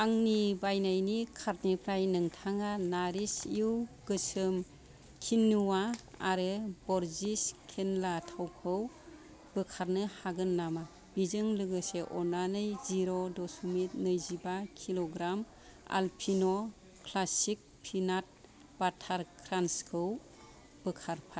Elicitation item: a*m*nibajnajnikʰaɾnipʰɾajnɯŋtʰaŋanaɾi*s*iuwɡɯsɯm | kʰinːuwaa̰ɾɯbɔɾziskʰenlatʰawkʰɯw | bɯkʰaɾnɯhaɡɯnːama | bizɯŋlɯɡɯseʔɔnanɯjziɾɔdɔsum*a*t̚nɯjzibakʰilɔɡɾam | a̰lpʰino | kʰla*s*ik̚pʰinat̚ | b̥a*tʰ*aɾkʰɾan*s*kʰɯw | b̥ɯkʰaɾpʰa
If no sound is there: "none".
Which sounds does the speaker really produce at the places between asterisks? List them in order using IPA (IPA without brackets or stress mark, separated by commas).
ŋ, s, i, s, tʰ, s